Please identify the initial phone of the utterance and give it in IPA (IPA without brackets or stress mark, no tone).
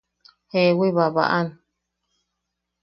h